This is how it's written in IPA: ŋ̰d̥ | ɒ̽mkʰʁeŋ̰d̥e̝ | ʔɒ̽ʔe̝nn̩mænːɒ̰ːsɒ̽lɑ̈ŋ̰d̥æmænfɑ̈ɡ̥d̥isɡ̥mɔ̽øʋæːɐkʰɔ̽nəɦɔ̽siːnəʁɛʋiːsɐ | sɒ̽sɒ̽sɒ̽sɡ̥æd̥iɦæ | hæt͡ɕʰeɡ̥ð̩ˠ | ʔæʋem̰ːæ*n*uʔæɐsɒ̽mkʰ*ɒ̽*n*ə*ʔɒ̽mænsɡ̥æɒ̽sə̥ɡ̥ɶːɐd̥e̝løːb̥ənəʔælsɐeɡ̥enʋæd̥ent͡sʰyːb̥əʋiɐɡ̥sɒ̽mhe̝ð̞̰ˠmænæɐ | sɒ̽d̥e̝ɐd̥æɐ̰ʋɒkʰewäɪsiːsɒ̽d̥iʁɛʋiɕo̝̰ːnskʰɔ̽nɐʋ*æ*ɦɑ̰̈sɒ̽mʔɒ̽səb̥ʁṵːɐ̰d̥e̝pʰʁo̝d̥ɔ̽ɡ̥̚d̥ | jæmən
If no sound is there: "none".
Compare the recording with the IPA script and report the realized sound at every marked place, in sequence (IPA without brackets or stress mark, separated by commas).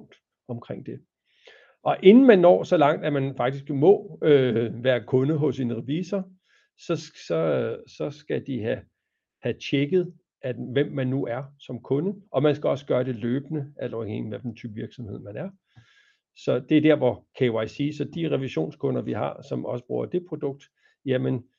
nː, ɔ̽, ə, i